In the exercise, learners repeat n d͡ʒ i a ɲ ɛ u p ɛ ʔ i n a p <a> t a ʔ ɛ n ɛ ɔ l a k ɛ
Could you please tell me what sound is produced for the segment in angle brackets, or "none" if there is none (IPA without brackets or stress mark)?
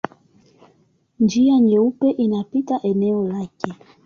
i